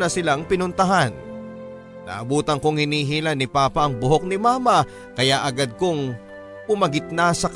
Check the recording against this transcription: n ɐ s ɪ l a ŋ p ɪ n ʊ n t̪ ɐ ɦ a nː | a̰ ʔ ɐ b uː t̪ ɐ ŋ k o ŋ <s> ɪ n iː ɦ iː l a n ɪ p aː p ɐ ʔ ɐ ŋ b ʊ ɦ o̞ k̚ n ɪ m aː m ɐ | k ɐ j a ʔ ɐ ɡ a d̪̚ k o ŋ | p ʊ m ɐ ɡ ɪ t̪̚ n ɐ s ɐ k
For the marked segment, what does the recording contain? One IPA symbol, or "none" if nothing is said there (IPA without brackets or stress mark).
h